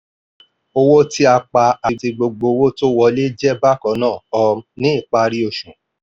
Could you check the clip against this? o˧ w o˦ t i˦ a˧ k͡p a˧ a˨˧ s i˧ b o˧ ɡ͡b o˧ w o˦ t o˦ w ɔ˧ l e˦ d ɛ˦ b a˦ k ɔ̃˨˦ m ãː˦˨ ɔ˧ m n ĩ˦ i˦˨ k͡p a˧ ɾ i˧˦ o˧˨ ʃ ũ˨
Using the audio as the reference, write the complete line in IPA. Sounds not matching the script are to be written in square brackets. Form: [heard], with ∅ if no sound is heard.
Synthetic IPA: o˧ w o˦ t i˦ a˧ k͡p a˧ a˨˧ [t] i˧ [ɡ͡b] o˧ ɡ͡b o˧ w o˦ t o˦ w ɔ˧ l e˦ [d͡ʒ] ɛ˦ b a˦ k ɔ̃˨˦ [n] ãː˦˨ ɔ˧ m n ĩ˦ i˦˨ k͡p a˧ ɾ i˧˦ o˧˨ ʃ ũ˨